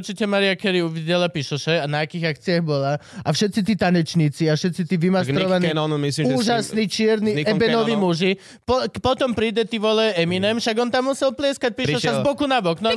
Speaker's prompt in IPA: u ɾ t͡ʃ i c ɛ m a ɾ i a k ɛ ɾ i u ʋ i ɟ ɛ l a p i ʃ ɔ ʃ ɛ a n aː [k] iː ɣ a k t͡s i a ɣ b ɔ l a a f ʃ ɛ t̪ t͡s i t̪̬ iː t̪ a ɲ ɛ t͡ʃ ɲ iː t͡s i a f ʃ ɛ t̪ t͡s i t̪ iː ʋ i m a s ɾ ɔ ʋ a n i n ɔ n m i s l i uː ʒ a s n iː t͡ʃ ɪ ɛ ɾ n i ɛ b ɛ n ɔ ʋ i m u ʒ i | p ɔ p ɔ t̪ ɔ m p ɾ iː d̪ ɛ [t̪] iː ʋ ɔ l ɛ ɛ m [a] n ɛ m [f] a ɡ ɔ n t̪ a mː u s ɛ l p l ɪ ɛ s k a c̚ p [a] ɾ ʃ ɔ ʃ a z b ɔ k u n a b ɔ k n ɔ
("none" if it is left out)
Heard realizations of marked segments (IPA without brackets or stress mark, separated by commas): k, t̪, i, ʃ, i